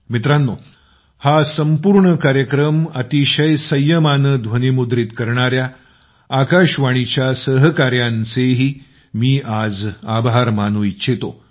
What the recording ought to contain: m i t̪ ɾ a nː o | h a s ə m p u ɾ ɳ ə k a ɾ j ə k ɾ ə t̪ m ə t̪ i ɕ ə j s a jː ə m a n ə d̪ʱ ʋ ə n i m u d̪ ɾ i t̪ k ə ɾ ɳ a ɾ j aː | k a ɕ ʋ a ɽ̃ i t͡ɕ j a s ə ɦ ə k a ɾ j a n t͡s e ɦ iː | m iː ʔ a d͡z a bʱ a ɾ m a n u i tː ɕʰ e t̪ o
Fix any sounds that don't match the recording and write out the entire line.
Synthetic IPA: m i t̪ ɾ a nː o | h a s ə m p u ɾ ɳ ə k a ɾ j ə k ɾ ə m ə t̪ i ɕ ə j s ə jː ə m a n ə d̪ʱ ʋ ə n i m u d̪ ɾ i t̪ k ə ɾ ɳ a ɾ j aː | k a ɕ ʋ a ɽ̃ i t͡ɕ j a s ə ɦ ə k a ɾ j a n t͡s e ɦ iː | m iː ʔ a d͡z a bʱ a ɾ m a n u i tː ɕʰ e t̪ o